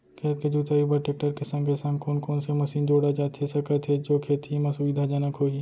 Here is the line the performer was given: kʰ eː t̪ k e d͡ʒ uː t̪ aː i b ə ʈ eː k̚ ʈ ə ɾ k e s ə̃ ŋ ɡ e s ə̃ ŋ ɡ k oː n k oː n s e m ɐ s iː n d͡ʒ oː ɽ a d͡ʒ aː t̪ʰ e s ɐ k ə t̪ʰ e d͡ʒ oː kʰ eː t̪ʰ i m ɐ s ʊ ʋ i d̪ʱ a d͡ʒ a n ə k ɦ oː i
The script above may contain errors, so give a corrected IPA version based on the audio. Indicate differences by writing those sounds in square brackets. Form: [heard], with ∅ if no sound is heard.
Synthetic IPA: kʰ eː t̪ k e d͡ʒ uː t̪ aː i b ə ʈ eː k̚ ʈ ə ɾ k e s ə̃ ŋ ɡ e s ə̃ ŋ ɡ k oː n k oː n s e m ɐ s iː n d͡ʒ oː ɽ a d͡ʒ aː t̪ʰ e s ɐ k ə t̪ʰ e d͡ʒ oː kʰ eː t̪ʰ i m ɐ s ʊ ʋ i d̪ʱ a d͡ʒ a n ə k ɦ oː i